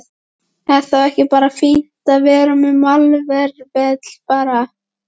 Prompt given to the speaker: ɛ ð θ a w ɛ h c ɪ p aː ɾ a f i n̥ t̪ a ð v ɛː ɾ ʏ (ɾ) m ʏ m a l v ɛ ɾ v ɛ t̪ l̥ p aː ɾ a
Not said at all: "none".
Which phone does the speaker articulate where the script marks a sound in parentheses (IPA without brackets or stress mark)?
none